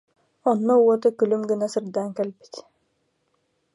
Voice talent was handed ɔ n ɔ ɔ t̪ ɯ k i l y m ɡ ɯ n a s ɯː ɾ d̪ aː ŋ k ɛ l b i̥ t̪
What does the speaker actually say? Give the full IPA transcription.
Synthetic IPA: ɔ nː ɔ ɔ t̪ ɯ k y l y m ɡ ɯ n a s ɯ ɾ d̪ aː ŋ k ɛ l b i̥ t̪